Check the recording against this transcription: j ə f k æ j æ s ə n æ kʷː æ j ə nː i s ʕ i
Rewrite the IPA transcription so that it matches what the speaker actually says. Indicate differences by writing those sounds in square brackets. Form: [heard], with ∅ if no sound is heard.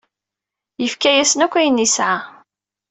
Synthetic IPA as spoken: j ə f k æ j æ s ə n æ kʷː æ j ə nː i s ʕ [a]

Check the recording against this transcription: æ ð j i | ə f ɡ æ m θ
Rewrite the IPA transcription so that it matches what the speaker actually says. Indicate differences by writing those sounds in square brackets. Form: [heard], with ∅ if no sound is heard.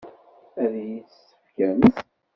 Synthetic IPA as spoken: æ ð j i | ə f [k] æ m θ

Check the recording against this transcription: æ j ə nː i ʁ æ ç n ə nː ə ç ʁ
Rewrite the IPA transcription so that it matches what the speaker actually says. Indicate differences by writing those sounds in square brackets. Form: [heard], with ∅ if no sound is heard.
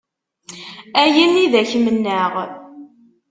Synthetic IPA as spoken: æ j ə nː i [ð] æ ç [m] ə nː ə [∅] ʁ

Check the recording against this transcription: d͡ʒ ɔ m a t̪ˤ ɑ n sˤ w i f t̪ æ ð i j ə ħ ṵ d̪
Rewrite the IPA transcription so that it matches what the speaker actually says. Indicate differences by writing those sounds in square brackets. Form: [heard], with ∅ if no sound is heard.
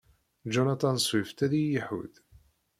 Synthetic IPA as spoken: d͡ʒ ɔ [n] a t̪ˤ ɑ n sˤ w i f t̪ æ ð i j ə ħ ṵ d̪

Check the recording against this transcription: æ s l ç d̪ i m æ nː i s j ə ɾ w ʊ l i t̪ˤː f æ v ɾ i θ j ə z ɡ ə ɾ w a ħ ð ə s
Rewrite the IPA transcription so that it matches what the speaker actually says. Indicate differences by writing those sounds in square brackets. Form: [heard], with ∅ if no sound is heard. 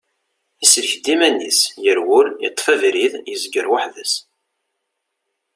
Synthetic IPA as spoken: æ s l ç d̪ i m æ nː i s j ə ɾ w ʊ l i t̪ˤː f æ v ɾ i [ð] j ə z ɡ ə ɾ w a ħ ð ə s

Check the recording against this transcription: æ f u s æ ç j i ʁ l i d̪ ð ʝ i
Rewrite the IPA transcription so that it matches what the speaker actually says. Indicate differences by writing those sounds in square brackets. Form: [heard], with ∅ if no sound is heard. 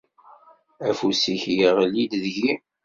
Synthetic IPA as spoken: æ f u s [i] ç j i ʁ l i d̪ ð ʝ i

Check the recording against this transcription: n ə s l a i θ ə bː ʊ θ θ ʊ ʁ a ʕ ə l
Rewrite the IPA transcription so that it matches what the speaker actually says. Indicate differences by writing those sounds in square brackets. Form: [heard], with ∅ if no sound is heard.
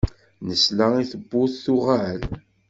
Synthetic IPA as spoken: n ə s l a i θ ə bː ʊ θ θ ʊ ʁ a ʕ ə l

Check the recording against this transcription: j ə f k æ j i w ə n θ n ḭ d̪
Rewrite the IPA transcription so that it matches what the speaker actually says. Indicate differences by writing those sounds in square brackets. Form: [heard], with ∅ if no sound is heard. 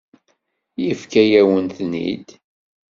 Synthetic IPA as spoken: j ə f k æ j [æ] w ə n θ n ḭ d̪

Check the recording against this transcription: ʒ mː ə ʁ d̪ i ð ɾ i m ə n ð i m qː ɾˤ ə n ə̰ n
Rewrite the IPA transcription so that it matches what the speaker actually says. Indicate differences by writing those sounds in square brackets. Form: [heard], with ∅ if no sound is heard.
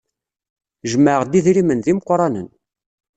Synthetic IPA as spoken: ʒ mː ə ʁ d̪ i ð ɾ i m ə n ð i m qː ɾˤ [ɑ] n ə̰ n

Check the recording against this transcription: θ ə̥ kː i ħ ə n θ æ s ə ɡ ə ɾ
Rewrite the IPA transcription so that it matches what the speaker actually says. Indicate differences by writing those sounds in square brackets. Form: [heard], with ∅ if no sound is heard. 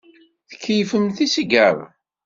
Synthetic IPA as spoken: θ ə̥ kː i [f] ə [m] θ [i] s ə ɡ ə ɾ

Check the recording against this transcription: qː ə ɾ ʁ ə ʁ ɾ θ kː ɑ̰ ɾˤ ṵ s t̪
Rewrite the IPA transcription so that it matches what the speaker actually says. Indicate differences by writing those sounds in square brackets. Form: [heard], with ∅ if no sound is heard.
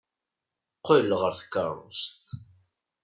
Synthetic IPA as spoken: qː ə [l] ʁ ə [∅] ɾ θ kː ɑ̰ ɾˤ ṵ s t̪

